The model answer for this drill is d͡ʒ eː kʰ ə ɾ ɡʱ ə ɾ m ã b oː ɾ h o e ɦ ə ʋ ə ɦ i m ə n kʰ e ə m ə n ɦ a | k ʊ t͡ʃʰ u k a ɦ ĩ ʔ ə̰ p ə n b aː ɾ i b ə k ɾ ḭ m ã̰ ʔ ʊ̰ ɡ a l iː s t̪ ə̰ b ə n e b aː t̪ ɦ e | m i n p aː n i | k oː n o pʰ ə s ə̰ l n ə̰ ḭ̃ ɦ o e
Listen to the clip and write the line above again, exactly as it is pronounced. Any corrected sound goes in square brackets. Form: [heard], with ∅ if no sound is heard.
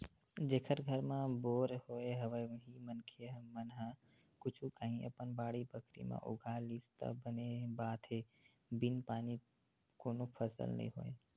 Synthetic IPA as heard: d͡ʒ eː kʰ ə ɾ ɡʱ ə ɾ m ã b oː ɾ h o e ɦ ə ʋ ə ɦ i m ə n kʰ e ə m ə n ɦ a | k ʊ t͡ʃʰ u k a ɦ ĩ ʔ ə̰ p ə n b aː [ɽ] i b ə k ɾ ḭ m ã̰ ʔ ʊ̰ ɡ a l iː s t̪ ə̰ b ə n e b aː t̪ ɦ e | [b] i n p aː n i | k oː n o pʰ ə s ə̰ l n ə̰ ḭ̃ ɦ o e